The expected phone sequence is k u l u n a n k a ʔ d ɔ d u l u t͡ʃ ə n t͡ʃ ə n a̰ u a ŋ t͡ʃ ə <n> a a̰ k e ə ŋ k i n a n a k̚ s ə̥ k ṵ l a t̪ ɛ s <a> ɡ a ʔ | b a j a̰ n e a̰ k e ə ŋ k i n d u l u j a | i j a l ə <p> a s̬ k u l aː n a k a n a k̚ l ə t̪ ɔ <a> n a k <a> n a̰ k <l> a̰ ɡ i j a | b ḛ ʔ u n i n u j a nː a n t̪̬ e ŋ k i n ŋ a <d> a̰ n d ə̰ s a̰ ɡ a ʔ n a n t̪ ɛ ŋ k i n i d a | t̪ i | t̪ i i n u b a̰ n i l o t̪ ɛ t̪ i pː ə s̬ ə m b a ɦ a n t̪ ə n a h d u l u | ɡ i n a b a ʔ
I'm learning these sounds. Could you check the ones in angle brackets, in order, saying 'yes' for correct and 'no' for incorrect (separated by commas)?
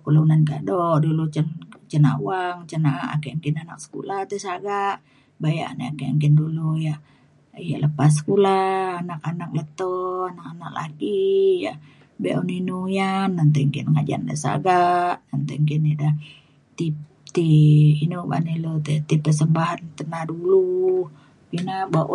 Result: yes, yes, yes, yes, yes, yes, no